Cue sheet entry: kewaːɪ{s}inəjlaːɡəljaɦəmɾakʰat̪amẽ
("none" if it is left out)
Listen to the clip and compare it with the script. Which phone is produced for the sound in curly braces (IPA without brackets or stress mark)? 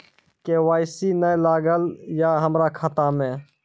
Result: s